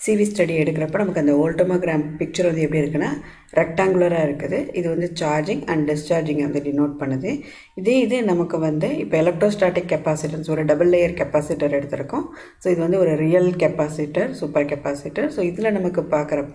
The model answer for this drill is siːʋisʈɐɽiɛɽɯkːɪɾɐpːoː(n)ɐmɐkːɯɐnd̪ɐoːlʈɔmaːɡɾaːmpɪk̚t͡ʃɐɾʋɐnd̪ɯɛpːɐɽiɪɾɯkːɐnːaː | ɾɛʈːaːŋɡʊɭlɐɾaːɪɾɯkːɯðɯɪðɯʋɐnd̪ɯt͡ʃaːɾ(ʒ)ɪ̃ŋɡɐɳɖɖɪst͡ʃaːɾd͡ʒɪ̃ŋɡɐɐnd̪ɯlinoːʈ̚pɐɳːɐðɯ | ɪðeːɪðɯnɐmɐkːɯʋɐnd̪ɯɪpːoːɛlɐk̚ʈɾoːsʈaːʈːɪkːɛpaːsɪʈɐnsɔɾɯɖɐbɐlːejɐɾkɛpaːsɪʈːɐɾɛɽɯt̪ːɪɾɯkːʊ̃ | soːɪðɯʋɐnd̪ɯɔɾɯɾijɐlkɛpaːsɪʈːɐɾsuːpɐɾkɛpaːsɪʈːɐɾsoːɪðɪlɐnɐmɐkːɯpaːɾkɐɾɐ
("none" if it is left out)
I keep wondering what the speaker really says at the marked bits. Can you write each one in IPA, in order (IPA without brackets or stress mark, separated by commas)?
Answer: n, d͡ʒ